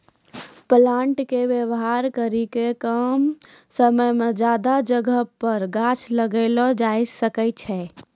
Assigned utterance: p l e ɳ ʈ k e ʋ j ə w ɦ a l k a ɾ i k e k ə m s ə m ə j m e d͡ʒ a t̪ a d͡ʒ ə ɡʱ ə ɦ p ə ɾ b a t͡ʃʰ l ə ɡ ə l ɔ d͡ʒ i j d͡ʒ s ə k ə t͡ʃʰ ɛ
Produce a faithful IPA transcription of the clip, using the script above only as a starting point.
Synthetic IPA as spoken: p l a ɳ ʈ k e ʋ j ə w ɦ a ɾ k ə ɾ i k e k ə m s ə m ə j m e d͡ʒ a d̪ a d͡ʒ ə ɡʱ ə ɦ p ə ɾ ɡ a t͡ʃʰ l ə ɡ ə l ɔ d͡ʒ a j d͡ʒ s ə k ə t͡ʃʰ ɛ